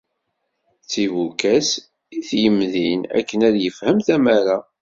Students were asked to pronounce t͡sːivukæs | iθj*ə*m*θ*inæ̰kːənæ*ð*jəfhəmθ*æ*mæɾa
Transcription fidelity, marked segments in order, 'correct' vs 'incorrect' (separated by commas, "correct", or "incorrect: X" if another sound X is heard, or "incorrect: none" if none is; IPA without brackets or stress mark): correct, incorrect: ð, correct, correct